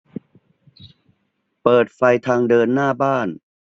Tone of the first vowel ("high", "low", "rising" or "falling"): low